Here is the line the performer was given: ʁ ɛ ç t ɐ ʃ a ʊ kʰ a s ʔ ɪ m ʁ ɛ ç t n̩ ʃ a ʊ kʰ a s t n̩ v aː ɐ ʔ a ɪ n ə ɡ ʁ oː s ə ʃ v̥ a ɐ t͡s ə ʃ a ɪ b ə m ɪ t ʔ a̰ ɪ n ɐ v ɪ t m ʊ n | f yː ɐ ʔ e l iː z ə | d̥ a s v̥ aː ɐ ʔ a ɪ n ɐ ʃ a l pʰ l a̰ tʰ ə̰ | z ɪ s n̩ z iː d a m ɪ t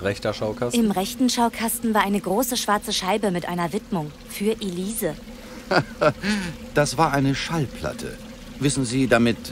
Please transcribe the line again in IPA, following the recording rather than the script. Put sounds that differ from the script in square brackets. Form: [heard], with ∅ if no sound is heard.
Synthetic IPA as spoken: ʁ ɛ ç t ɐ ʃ a ʊ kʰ a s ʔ ɪ m ʁ ɛ ç t n̩ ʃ a ʊ kʰ a s t n̩ v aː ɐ ʔ a ɪ n ə ɡ ʁ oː s ə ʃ v̥ a ɐ t͡s ə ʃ a ɪ b ə m ɪ t ʔ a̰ ɪ n ɐ v ɪ t m ʊ [ŋ] | f yː ɐ ʔ e l iː z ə | d̥ a s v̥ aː ɐ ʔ a ɪ n [ə] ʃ a l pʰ l a̰ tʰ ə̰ | [v] ɪ s n̩ z iː d a m ɪ t